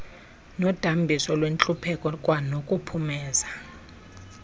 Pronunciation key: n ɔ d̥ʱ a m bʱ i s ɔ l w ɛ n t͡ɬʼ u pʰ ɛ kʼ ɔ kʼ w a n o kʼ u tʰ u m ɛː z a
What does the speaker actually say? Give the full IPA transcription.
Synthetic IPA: n ɔ d̥ʱ a m bʱ i s ɔ l w e n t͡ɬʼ u pʰ ɛ kʼ ɔ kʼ w a n o kʼ u pʰ u m ɛː z a

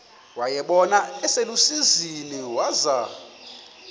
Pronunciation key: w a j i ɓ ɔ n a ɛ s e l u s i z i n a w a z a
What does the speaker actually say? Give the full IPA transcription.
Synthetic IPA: w a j ɛ ɓ ɔ n a ɛ s e l u s i z i n i w a z a

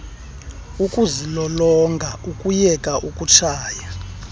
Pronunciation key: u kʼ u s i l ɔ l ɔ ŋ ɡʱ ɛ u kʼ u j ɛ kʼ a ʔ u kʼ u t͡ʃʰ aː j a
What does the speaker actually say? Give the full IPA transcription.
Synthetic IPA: u kʼ u z i l ɔ l ɔ ŋ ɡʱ a u kʼ u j ɛ kʼ a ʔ u kʼ u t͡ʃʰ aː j a

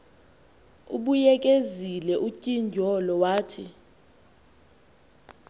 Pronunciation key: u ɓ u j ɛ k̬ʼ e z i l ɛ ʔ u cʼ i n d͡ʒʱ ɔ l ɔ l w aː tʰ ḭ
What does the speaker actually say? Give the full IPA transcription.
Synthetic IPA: u ɓ u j ɛ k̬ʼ e z i l ɛ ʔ u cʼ i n d͡ʒʱ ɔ l ɔ w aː tʰ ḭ

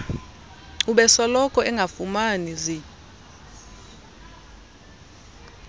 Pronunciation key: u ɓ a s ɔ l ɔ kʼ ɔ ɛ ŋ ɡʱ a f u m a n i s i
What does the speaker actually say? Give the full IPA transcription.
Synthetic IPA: u ɓ ɛ s ɔ l ɔ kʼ ɔ ɛ ŋ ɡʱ a f u m a n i z i

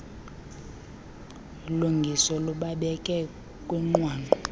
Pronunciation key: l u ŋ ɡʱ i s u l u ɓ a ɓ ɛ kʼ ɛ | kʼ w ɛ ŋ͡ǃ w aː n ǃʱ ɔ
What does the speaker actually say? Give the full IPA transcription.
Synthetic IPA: l u ŋ ɡʱ i s ɔ l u ɓ a ɓ ɛ kʼ ɛ | kʼ w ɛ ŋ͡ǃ w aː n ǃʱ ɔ

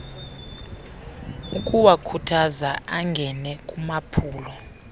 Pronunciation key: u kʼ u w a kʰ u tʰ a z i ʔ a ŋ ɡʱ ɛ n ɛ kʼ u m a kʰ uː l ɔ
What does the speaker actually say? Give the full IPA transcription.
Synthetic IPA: u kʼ u w a kʰ u tʰ a z a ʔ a ŋ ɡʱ ɛ n ɛ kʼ u m a pʰ uː l ɔ

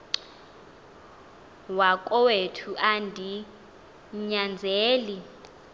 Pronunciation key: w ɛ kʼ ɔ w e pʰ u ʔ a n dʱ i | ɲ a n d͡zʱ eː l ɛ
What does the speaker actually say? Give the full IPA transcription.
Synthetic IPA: w a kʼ ɔ w e tʰ u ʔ a n dʱ i | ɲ a n d͡zʱ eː l i

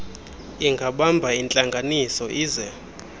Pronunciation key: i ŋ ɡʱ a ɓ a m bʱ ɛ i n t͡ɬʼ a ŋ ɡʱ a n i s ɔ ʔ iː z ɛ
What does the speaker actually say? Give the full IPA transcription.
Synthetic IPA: i ŋ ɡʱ a ɓ a m bʱ a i n t͡ɬʼ a ŋ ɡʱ a n i s ɔ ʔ iː z ɛ

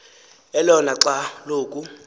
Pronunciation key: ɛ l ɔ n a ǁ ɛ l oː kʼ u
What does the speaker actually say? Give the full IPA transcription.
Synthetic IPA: ɛ l ɔ n a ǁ a l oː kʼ u

